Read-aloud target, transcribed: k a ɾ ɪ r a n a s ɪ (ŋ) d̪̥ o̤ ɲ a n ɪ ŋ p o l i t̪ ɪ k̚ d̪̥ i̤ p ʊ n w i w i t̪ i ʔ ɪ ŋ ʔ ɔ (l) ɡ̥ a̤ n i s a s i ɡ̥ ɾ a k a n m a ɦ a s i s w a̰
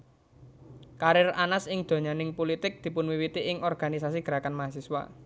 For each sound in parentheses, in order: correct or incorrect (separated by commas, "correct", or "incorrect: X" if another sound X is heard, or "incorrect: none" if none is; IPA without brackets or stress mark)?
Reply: correct, incorrect: r